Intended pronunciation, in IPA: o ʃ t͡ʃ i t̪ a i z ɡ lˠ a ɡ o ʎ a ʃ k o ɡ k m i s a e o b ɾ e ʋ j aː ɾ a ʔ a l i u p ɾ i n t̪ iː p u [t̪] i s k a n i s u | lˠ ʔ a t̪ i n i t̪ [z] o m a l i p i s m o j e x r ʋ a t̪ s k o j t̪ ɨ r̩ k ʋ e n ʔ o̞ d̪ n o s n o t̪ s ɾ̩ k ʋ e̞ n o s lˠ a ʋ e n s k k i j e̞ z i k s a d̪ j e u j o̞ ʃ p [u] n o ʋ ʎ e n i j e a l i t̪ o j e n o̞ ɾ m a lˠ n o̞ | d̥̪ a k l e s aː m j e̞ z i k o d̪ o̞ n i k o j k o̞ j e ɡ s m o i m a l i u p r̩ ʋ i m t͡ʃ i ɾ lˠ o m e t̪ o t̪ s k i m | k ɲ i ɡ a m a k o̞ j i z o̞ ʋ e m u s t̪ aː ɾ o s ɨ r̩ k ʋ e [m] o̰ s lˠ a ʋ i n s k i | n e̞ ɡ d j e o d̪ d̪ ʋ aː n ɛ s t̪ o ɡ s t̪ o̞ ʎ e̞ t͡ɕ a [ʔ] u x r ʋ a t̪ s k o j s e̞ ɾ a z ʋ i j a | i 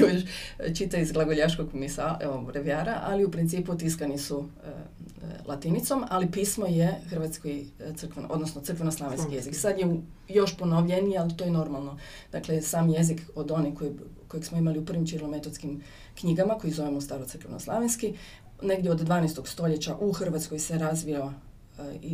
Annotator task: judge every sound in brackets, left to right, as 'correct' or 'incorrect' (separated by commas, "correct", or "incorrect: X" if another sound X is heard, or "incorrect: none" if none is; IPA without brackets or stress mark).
correct, incorrect: s, incorrect: o, incorrect: n, correct